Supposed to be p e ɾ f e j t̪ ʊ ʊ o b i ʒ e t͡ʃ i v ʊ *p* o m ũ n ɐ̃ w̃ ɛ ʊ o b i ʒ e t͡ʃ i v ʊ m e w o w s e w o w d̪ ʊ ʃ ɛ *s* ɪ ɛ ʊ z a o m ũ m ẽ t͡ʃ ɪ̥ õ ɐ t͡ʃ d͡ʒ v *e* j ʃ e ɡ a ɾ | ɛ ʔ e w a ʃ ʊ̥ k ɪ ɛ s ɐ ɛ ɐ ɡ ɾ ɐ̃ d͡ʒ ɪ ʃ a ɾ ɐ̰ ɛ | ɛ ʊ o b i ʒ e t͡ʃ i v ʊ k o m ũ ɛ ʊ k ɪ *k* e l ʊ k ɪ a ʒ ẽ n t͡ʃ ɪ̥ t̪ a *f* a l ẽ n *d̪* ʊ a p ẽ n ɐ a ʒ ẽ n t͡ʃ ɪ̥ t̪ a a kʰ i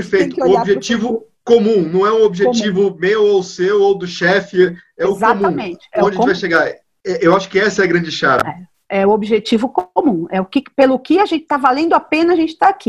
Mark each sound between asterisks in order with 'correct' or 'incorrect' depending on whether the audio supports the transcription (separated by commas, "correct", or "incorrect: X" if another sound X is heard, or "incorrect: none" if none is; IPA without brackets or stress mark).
incorrect: k, incorrect: f, incorrect: a, incorrect: p, incorrect: v, correct